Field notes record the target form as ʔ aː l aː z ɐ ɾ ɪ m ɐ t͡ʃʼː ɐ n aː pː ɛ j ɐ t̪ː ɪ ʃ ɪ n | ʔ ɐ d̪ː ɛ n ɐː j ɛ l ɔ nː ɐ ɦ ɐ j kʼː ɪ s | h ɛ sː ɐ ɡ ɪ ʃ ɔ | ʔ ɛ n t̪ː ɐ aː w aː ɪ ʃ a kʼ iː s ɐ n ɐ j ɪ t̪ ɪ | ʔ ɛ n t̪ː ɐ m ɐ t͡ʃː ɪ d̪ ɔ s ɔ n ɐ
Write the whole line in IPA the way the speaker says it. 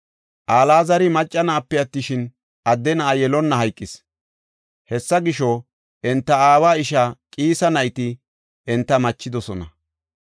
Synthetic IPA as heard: ʔ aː l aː z ɐ ɾ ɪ m ɐ t͡ʃʼː ɐ n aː pː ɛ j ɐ t̪ː ɪ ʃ ɪ n | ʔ ɐ d̪ː ɛ n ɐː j ɛ l ɔ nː ɐ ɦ ɐ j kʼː ɪ s | h ɛ sː ɐ ɡ ɪ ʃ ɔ | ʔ ɛ n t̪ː ɐ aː w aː ɪ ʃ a kʼ iː s ɐ n ɐ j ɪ t̪ ɪ | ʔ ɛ n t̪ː ɐ m ɐ t͡ʃː ɪ d̪ ɔ s ɔ n ɐ